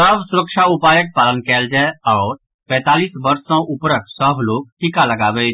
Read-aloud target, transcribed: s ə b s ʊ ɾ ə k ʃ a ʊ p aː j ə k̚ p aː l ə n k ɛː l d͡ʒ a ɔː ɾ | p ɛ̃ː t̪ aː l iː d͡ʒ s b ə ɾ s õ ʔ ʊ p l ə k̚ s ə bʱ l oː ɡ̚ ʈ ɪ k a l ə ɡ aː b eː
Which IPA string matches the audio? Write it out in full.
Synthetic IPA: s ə b s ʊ ɾ ə k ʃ a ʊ p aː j ə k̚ p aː l ə n k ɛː l d͡ʒ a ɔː ɾ | p ɛ̃ː t̪ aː l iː s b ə ɾ s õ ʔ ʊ p ɾ ə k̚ s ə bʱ l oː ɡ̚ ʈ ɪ k a l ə ɡ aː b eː